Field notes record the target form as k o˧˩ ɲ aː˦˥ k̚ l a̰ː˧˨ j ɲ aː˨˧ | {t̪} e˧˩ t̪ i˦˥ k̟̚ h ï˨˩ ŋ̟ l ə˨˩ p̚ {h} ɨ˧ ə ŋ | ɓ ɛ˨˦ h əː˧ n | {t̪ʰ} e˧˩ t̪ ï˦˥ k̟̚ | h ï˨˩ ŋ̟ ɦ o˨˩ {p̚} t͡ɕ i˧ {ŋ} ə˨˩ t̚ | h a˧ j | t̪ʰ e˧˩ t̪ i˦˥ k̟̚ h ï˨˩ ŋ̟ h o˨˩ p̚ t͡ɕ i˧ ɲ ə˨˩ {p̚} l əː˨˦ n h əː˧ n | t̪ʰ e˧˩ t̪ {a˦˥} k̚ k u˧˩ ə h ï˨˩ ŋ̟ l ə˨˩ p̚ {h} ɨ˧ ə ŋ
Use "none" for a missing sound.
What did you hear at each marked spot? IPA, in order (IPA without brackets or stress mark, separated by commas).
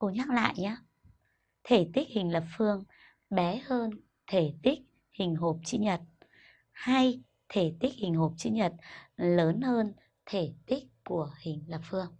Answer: t̪ʰ, f, t̪ʰ, p̚, ɲ, t̚, i˦˥, f